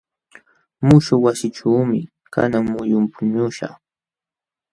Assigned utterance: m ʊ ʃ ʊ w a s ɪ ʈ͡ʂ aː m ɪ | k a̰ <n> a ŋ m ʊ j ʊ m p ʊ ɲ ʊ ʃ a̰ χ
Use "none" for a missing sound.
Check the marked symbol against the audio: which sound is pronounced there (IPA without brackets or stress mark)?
n